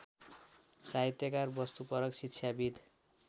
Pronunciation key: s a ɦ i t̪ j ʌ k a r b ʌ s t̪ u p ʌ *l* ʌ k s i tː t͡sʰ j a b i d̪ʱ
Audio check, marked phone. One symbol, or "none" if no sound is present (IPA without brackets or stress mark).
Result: ɾ